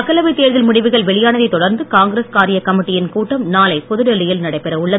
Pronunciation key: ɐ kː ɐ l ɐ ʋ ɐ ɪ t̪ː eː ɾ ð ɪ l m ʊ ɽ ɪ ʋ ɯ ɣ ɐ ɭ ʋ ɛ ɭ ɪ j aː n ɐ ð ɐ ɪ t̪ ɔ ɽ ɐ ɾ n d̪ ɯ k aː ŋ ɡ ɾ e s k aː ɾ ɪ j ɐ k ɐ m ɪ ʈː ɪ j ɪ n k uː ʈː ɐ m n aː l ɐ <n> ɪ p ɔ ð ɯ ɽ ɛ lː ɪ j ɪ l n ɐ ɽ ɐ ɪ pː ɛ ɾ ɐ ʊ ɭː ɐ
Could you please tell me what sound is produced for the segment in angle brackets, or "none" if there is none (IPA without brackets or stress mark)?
none